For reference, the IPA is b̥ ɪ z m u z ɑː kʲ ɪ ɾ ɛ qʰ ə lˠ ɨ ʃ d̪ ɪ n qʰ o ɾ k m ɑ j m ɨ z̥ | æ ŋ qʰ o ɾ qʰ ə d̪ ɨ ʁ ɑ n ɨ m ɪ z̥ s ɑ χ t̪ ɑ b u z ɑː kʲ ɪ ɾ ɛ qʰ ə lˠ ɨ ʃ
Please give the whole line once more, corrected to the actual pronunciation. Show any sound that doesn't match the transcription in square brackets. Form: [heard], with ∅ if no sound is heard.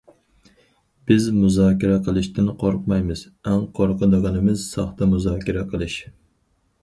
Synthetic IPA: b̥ ɪ z m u z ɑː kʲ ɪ ɾ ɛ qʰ ə lˠ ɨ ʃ [t̪] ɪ n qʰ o ɾ [q] m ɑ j m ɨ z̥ | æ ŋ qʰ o ɾ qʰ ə d̪ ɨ ʁ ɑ n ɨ m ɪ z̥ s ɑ χ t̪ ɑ [m] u z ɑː kʲ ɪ ɾ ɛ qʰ ə lˠ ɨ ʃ